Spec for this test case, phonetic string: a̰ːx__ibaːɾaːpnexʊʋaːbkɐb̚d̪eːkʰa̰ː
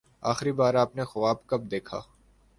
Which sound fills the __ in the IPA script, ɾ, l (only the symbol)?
ɾ